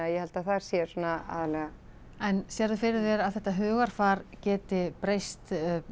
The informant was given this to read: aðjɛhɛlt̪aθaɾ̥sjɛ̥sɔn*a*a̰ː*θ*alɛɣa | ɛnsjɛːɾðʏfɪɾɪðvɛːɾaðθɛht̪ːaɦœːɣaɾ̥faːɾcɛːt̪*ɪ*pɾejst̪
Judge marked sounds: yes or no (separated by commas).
yes, no, yes